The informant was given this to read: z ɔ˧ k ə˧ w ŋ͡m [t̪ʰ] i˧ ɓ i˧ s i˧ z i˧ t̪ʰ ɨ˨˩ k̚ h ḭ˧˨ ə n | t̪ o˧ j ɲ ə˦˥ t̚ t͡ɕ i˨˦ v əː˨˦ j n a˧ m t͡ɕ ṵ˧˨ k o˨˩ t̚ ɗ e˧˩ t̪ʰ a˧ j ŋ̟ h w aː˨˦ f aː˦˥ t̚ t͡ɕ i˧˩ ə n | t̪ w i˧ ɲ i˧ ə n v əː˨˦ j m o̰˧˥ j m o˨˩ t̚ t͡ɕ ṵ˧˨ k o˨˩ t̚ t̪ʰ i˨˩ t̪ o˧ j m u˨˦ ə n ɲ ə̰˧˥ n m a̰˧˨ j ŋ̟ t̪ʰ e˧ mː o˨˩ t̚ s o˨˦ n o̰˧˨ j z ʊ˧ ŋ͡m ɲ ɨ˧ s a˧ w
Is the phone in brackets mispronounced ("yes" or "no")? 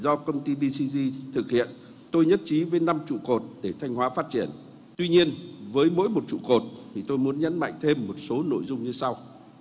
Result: yes